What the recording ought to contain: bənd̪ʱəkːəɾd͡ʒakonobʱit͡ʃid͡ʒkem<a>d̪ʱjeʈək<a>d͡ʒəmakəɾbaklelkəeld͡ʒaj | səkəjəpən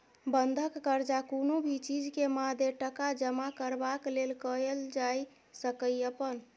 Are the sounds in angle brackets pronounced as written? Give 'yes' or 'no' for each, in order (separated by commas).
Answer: yes, yes